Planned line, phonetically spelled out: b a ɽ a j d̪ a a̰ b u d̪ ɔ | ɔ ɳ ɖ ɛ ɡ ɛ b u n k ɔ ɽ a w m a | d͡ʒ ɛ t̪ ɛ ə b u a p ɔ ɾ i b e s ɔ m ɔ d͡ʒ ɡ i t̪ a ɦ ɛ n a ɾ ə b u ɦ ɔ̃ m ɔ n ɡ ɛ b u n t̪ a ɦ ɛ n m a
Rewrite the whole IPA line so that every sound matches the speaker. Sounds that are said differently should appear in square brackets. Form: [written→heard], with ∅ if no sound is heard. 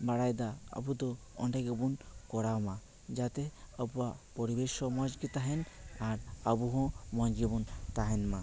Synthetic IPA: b a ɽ a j d̪ a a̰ b u d̪ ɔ | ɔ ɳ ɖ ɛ ɡ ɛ b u n k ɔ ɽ a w m a | d͡ʒ [ɛ→a] t̪ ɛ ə b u a p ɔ ɾ i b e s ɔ m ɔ d͡ʒ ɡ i t̪ a ɦ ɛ n a ɾ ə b u ɦ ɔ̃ m ɔ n ɡ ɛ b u n t̪ a ɦ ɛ n m a

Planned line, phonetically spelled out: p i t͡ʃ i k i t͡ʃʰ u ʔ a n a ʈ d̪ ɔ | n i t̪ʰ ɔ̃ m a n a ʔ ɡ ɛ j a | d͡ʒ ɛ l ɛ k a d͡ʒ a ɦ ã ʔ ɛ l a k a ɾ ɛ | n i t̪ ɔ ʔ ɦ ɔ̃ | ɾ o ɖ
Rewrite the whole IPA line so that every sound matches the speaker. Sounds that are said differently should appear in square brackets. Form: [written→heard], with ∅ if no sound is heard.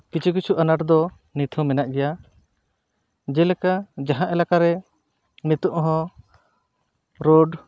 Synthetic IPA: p i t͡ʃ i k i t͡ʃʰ u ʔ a n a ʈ d̪ ɔ | n i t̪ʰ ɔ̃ m [a→ɛ] n a ʔ ɡ ɛ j a | d͡ʒ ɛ l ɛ k a d͡ʒ a ɦ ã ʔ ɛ l a k a ɾ ɛ | n i t̪ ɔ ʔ ɦ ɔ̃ | ɾ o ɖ

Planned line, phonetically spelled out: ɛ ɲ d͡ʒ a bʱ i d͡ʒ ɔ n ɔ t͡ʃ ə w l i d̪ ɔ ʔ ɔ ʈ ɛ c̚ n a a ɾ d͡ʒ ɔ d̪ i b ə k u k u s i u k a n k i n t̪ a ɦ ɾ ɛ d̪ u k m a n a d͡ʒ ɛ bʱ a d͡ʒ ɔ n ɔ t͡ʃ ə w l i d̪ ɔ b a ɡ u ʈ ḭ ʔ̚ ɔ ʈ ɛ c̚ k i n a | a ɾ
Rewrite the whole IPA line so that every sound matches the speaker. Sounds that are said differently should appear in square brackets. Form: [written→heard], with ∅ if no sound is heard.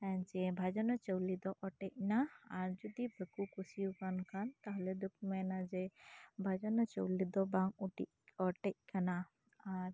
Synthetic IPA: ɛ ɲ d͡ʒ [a→ɛ] bʱ [i→a] d͡ʒ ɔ n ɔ t͡ʃ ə w l i d̪ ɔ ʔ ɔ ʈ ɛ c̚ n a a ɾ d͡ʒ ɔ d̪ i b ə k u k u s i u k a n k [i→a] n t̪ a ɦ [ɾ→l] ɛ d̪ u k m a n a d͡ʒ ɛ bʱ a d͡ʒ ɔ n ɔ t͡ʃ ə w l i d̪ ɔ b a [ɡ→ŋ] u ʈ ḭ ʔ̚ ɔ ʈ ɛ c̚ k [i→a] n a | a ɾ

